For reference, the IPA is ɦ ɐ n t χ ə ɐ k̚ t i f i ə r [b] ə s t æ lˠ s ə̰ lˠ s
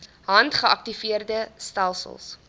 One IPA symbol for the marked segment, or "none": d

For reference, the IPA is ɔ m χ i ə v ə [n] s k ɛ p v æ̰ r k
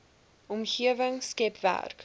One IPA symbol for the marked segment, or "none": ŋ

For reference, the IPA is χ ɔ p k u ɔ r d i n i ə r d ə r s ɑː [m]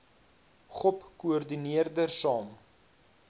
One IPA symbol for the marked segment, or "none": m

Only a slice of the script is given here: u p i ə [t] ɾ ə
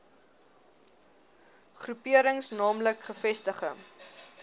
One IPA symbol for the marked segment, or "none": none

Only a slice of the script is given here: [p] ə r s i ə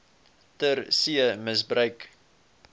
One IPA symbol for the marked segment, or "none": t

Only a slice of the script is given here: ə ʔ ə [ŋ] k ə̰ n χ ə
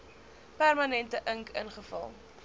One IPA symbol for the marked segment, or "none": ŋ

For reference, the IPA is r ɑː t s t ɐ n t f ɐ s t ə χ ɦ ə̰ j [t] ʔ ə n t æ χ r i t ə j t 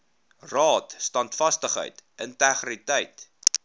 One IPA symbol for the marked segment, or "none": t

